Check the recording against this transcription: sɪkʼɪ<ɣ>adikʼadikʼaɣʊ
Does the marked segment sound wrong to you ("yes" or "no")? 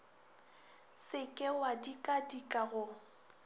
yes